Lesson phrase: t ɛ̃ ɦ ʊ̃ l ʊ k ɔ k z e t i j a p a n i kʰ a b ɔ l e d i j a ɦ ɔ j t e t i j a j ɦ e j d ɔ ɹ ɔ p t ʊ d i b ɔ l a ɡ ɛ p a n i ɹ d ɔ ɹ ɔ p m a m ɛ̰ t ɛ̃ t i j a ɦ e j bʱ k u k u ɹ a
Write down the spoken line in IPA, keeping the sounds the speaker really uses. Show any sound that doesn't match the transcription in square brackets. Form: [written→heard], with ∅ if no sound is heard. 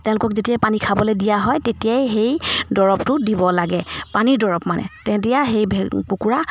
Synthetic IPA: t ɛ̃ [ɦ→∅] ʊ̃ l ʊ k ɔ k z e t i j a p a n i kʰ a b ɔ l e d i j a ɦ ɔ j t e t i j a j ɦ e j d ɔ ɹ ɔ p t ʊ d i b ɔ l a ɡ ɛ p a n i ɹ d ɔ ɹ ɔ p m a [m→n] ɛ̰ t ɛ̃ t i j a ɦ e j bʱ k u k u ɹ a